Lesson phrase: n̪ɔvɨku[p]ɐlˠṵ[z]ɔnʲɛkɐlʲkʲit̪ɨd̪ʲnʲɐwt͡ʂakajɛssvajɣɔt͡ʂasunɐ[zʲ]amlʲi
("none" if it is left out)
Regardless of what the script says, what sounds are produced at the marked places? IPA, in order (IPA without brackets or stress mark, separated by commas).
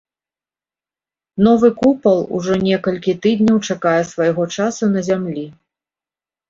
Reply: p, ʐ, zʲ